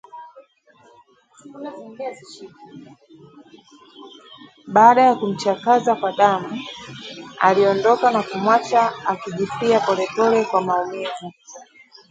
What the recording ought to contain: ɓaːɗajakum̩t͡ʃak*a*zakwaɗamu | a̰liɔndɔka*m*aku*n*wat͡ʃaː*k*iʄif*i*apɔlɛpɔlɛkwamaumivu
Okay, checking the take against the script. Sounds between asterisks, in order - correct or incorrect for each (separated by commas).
correct, incorrect, incorrect, correct, correct